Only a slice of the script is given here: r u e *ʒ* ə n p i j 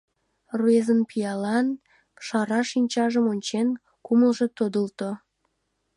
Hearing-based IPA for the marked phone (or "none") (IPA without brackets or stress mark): z